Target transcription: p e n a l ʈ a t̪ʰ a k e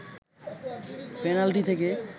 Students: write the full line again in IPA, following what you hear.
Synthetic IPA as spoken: p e n a l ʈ i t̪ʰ e k e